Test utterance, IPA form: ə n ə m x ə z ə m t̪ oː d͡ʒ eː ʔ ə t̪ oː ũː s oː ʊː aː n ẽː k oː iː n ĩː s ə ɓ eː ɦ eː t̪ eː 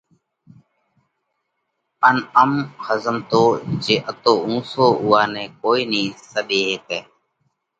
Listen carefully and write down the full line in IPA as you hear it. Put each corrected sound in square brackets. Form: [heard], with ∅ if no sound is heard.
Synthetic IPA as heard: ə n ə m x ə z ə m t̪ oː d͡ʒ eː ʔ ə t̪ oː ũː s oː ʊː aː n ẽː k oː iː n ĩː s ə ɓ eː ɦ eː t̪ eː